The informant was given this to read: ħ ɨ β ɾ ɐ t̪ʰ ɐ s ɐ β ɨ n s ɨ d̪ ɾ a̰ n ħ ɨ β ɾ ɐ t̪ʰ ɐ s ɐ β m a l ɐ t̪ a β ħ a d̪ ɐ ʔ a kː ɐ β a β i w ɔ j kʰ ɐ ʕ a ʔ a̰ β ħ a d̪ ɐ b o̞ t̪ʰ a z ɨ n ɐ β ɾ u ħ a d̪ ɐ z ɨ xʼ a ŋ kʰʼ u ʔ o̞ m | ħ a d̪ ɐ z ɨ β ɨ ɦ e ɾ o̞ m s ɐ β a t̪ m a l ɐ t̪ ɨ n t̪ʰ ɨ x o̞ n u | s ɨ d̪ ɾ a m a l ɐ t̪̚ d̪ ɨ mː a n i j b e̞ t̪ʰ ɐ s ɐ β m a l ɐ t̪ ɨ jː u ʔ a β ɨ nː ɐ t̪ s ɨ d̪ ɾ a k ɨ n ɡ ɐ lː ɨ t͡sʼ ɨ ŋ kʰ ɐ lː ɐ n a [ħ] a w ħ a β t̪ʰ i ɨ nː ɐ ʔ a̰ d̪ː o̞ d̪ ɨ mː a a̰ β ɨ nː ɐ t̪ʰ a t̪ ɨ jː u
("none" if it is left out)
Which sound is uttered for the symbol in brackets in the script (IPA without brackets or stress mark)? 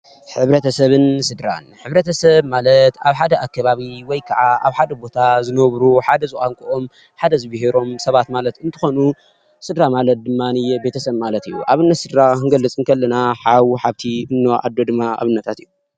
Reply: ħ